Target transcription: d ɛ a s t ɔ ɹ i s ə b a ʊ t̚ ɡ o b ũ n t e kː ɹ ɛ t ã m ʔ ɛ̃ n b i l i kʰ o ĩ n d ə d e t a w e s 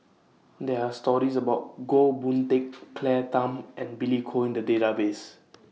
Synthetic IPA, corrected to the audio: d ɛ a s t ɔ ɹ i s ə b a ʊ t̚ ɡ o b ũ n t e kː l ɛ t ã m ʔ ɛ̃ n b i l i kʰ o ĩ n d ə d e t a b e s